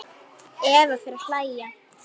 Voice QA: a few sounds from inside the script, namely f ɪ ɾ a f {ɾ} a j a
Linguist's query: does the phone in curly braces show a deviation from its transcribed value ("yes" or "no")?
yes